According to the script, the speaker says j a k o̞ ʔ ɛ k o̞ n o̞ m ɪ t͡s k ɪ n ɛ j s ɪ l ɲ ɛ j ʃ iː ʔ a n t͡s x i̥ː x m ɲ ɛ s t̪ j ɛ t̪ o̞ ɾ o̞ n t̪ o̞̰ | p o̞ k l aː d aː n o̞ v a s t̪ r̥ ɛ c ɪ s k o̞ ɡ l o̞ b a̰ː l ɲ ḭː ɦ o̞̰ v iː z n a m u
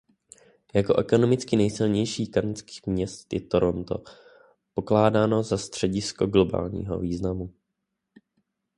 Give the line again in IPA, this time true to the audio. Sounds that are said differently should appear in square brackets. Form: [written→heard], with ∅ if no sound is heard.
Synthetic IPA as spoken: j a k o̞ ʔ ɛ k o̞ n o̞ m ɪ t͡s k ɪ n ɛ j s ɪ l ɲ ɛ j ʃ iː [ʔ→k] a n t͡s [x→k] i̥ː x m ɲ ɛ s t̪ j ɛ t̪ o̞ ɾ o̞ n t̪ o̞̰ | p o̞ k l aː d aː n o̞ [v→z] a s t̪ r̥ ɛ [c→ɟ] ɪ s k o̞ ɡ l o̞ b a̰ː l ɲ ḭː ɦ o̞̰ v iː z n a m u

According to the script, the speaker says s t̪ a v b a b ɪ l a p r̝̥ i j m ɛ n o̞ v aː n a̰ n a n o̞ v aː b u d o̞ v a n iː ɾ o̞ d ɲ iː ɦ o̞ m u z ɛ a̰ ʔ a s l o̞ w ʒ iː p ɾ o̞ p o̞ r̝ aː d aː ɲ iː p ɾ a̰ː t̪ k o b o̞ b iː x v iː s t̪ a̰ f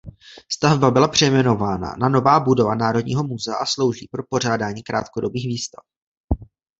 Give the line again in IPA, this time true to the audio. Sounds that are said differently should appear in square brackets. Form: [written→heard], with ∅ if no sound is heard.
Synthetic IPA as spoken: s t̪ a v b a b ɪ l a p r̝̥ [i→ɛ] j m ɛ n o̞ v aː n a̰ n a n o̞ v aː b u d o̞ v a n [iː→aː] ɾ o̞ d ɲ iː ɦ o̞ m u z ɛ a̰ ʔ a s l o̞ w ʒ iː p ɾ o̞ p o̞ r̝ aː d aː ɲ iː [p→k] ɾ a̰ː t̪ k o [b→d] o̞ b iː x v iː s t̪ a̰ f

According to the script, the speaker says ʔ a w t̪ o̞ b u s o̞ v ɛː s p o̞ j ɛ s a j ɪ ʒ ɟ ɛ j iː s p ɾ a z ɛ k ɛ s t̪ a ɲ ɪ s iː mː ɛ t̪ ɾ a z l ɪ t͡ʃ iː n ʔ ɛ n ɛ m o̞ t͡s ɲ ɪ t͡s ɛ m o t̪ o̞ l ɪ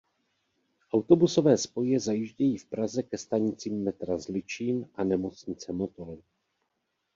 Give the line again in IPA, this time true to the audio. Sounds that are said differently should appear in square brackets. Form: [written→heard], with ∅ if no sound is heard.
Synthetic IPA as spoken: ʔ a w t̪ o̞ b u s o̞ v ɛː s p o̞ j ɛ [s→z] a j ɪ ʒ ɟ ɛ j iː [s→f] p ɾ a z ɛ k ɛ s t̪ a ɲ ɪ [s→t͡s] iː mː ɛ t̪ ɾ a z l ɪ t͡ʃ iː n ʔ [ɛ→a] n ɛ m o̞ t͡s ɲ ɪ t͡s ɛ m o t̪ o̞ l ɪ

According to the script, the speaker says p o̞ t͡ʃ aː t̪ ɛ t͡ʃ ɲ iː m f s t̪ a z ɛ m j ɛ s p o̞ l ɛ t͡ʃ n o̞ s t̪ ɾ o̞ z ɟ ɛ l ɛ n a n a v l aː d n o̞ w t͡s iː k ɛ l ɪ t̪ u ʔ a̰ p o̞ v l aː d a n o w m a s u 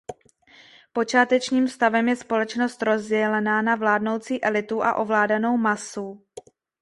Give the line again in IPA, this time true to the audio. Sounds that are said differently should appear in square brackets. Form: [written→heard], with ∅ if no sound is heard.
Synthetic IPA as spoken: p o̞ t͡ʃ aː t̪ ɛ t͡ʃ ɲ iː m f s t̪ a [z→v] ɛ m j ɛ s p o̞ l ɛ t͡ʃ n o̞ s t̪ ɾ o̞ z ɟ ɛ l ɛ n a n a v l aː d n o̞ w t͡s iː [k→ʔ] ɛ l ɪ t̪ u ʔ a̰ [p→ʔ] o̞ v l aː d a n o w m a s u

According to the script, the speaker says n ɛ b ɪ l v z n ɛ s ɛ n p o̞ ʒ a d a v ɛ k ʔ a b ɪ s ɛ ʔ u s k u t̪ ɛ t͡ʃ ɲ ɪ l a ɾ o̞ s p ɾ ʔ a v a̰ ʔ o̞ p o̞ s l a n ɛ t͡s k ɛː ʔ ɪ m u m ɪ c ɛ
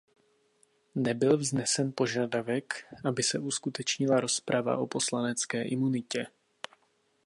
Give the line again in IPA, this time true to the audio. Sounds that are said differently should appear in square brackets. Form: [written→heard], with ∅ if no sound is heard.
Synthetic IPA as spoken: n ɛ b ɪ l v z n ɛ s ɛ n p o̞ ʒ a d a v ɛ k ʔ a b ɪ s ɛ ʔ u s k u t̪ ɛ t͡ʃ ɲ ɪ l a ɾ o̞ s p ɾ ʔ a v a̰ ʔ o̞ p o̞ s l a n ɛ t͡s k ɛː ʔ ɪ m u [m→n] ɪ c ɛ

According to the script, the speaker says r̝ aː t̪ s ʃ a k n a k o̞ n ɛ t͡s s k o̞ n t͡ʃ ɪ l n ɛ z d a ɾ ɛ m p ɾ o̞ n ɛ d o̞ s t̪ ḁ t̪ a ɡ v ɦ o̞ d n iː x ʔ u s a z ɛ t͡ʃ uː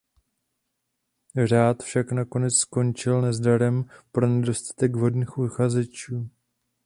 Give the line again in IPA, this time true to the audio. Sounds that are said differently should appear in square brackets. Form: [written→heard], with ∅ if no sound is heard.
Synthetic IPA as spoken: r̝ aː t̪ [s→f] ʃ a k n a k o̞ n ɛ t͡s s k o̞ n t͡ʃ ɪ l n ɛ z d a ɾ ɛ m p ɾ o̞ n ɛ d o̞ s t̪ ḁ t̪ [a→ɛ] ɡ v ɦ o̞ d n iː x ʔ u [s→x] a z ɛ t͡ʃ uː

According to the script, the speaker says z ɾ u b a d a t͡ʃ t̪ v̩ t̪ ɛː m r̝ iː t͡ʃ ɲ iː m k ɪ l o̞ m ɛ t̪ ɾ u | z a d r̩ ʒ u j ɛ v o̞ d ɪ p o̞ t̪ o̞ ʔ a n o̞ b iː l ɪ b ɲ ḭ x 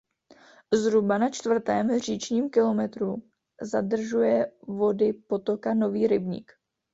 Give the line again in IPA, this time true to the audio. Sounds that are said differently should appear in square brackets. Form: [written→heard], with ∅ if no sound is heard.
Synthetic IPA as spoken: z ɾ u b a [d→n] a t͡ʃ t̪ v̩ t̪ ɛː m r̝ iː t͡ʃ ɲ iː m k ɪ l o̞ m ɛ t̪ ɾ u | z a d r̩ ʒ u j ɛ v o̞ d ɪ p o̞ t̪ o̞ [ʔ→k] a n o̞ [b→v] iː [l→ɾ] ɪ b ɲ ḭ [x→k]

